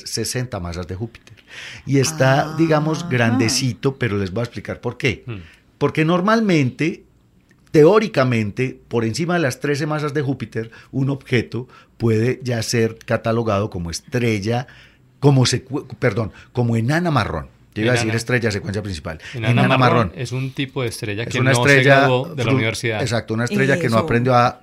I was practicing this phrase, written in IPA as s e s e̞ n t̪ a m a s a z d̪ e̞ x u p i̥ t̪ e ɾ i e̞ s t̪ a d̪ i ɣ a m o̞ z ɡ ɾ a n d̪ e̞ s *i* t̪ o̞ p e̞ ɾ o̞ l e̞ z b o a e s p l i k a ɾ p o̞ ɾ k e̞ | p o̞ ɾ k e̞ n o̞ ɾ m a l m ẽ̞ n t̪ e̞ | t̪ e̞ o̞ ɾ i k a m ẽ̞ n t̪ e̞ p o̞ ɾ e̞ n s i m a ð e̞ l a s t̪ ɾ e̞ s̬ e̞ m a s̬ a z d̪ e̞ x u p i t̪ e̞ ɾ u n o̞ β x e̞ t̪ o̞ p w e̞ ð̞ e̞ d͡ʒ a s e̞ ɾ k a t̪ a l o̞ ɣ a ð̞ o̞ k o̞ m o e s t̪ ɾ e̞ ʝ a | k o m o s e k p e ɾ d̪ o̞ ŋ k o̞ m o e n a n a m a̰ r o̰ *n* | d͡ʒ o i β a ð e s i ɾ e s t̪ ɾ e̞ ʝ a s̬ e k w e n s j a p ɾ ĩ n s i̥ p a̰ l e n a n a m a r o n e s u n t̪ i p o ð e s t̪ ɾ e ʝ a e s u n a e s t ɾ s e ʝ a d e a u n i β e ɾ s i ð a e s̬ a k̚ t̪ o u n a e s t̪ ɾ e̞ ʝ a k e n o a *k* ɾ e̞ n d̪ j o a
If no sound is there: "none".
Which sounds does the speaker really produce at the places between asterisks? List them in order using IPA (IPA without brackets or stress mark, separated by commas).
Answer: i, n, p